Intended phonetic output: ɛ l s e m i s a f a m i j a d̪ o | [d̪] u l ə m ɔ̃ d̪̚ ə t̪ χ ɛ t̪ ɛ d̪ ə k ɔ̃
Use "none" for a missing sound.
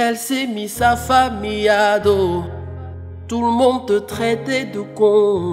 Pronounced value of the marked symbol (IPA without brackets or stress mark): t̪